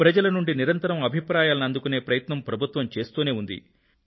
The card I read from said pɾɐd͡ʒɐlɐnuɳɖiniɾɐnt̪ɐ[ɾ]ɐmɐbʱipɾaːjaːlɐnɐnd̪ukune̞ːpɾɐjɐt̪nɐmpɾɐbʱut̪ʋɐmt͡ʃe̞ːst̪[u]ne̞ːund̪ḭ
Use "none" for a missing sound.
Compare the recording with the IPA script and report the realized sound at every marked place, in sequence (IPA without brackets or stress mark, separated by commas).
ɾ, uː